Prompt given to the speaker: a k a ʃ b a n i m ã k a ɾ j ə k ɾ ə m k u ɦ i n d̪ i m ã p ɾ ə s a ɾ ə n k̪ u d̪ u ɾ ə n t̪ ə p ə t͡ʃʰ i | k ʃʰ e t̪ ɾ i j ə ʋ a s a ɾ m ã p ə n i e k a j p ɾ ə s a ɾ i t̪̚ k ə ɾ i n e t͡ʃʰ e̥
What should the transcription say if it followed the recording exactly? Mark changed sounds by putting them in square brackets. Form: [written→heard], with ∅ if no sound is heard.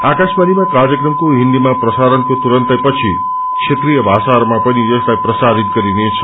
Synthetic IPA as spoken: a k a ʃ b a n i m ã k a ɾ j ə k ɾ ə m k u ɦ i n d̪ i m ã p ɾ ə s a ɾ ə n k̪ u [d̪→t̪] u ɾ ə n t̪ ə p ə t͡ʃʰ i | k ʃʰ e t̪ ɾ i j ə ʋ a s a ɾ m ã p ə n i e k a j p ɾ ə s a ɾ i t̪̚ k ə ɾ i n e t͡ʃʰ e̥